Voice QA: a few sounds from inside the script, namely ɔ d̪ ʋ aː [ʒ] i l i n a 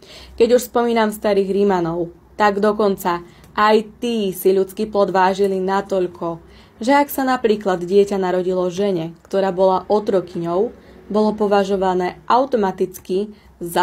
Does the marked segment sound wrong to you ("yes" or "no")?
no